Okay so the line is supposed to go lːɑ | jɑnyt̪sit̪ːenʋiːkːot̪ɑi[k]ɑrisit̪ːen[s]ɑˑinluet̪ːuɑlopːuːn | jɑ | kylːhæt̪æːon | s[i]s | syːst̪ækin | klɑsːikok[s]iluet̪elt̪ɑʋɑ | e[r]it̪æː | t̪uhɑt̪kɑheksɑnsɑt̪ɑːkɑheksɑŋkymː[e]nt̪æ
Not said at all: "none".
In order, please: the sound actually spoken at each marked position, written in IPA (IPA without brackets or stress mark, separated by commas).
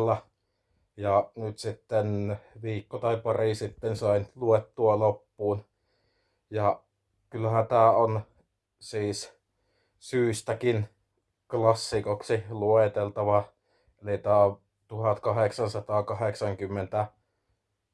p, s, iː, s, l, e